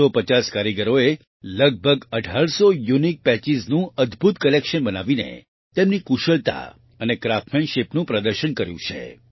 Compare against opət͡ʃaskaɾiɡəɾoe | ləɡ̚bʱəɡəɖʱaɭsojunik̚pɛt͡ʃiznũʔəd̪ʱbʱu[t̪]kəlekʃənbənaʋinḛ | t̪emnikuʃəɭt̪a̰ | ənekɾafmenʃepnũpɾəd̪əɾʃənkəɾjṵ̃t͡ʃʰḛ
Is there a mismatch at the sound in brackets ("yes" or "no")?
no